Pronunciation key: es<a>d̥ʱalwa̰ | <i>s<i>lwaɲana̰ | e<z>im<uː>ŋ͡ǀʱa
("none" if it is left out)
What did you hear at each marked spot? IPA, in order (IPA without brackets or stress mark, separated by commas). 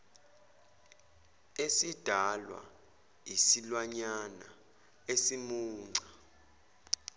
i, i, i, s, uː